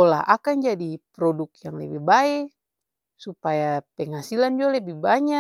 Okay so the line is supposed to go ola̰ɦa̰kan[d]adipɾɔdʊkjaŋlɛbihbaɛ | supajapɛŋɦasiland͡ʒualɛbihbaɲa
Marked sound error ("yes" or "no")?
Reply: yes